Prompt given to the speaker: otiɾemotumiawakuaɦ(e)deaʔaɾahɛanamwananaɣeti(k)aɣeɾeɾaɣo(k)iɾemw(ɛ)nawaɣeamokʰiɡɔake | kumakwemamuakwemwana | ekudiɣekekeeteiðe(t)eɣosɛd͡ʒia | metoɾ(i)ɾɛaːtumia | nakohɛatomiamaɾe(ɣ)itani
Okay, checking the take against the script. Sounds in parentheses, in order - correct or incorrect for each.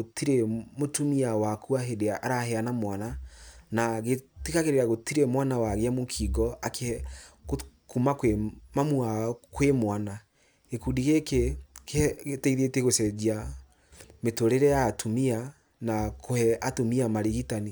correct, correct, incorrect, incorrect, correct, incorrect, correct

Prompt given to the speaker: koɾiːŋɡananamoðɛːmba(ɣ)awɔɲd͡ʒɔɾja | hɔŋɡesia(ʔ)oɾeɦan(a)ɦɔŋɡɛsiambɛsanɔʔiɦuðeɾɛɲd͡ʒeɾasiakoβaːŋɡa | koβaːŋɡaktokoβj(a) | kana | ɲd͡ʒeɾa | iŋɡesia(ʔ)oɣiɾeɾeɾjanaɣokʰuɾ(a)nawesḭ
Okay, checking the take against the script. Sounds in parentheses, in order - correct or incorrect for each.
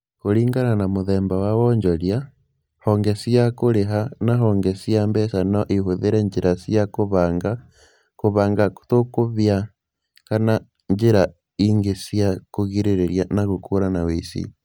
incorrect, incorrect, correct, correct, incorrect, correct

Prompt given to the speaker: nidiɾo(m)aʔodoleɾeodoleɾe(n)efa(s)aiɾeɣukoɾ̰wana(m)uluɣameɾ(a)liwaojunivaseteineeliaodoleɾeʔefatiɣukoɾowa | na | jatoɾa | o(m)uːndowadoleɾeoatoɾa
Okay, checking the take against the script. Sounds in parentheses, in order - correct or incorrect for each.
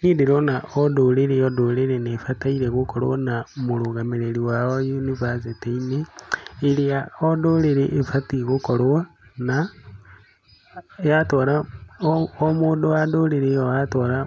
incorrect, correct, incorrect, correct, incorrect, correct

